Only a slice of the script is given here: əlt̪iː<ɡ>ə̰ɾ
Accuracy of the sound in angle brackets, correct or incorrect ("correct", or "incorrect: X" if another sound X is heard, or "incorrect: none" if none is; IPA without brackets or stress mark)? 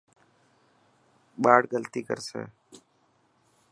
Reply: incorrect: k